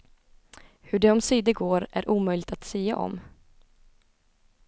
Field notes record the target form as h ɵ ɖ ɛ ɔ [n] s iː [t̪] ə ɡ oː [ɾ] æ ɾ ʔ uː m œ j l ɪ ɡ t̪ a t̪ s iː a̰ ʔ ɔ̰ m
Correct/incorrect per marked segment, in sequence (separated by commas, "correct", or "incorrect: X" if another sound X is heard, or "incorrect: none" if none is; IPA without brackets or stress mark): incorrect: m, incorrect: d̪, correct